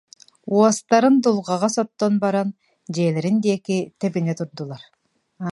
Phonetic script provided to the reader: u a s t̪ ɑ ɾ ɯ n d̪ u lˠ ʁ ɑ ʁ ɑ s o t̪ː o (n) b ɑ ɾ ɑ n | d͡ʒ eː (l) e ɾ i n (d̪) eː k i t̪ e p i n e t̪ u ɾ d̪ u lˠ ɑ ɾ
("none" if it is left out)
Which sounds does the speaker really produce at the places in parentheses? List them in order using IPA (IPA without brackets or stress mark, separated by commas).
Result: n, l, d̪